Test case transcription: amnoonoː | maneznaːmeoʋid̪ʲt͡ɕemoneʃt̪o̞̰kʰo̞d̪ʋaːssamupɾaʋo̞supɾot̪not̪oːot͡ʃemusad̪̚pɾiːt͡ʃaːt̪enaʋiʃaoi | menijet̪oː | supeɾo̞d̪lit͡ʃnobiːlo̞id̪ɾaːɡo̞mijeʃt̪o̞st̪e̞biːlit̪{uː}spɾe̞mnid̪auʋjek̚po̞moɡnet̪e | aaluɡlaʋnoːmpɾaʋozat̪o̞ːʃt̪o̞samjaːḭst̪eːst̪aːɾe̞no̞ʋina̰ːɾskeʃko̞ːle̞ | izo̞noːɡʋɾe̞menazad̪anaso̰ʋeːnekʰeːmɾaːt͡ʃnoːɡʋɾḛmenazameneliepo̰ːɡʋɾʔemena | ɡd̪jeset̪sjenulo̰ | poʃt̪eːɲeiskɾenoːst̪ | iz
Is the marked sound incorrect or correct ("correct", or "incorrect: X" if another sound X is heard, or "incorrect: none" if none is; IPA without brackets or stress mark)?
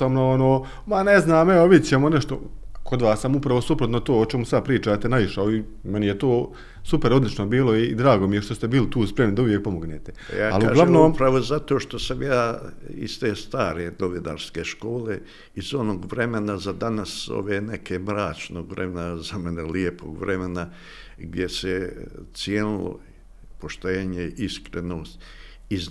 correct